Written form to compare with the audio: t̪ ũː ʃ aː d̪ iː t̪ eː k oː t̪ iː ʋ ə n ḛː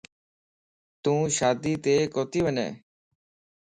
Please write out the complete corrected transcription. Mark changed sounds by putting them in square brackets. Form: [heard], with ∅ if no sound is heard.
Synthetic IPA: t̪ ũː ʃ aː d̪ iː t̪ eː k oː t̪ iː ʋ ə n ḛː